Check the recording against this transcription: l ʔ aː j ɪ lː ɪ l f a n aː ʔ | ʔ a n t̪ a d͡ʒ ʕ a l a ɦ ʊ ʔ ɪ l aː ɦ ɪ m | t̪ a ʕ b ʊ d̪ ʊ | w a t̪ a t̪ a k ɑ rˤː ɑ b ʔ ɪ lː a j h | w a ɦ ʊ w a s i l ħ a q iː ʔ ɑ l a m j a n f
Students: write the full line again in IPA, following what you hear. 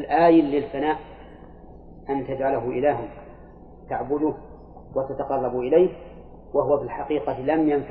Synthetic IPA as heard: l ʔ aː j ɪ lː ɪ l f a n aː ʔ | ʔ a n t̪ a d͡ʒ ʕ a l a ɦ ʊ ʔ ɪ l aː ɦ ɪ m | t̪ a ʕ b ʊ d̪ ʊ | w a t̪ a t̪ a q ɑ rˤː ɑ b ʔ ɪ l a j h | w a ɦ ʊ w a f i l ħ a q iː q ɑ l a m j a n f